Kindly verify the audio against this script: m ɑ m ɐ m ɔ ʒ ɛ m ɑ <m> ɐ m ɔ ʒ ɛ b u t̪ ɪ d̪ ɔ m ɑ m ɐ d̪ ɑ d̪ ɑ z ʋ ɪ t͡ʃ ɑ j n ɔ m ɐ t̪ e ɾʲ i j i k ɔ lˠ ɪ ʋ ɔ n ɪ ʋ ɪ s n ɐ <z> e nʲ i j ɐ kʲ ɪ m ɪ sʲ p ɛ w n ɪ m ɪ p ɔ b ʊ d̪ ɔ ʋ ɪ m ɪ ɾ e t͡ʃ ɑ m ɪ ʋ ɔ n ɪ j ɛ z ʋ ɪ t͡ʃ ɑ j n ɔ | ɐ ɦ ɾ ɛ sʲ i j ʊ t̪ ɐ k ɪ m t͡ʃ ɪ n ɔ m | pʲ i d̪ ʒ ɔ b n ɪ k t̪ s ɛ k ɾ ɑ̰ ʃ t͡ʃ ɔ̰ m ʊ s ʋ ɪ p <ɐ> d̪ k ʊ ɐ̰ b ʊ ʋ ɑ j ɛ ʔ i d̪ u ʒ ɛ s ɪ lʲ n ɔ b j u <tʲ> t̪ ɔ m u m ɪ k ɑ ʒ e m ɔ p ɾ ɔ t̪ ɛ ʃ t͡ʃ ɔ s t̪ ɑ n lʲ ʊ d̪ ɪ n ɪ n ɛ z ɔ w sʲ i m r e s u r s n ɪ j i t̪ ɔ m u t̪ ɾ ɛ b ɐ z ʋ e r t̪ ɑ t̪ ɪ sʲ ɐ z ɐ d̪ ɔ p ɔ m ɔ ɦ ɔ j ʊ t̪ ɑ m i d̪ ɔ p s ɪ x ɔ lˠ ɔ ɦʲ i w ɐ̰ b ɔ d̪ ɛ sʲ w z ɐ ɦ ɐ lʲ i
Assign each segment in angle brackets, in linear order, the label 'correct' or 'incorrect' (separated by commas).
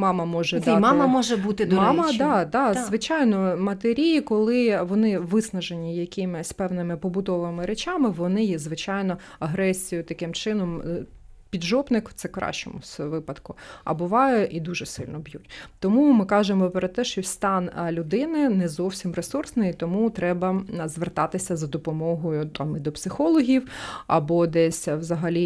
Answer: correct, incorrect, correct, correct